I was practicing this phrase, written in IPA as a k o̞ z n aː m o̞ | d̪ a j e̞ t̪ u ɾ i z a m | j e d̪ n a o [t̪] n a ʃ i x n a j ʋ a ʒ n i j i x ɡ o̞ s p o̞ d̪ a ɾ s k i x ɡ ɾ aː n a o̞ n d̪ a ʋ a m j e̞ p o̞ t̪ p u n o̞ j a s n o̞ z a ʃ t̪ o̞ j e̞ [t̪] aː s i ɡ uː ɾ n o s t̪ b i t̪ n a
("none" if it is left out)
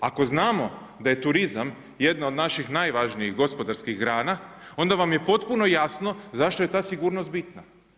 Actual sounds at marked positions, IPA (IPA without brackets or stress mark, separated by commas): d̪, t̪